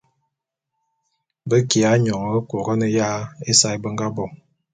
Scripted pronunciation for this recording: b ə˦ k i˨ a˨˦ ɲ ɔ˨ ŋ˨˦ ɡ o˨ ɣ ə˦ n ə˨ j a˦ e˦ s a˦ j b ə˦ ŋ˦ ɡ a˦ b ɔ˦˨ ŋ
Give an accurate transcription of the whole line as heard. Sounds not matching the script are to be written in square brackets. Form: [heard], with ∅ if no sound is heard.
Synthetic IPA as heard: b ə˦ k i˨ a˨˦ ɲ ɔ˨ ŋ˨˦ [k] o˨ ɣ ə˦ n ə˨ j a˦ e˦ s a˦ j b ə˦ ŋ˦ ɡ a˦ b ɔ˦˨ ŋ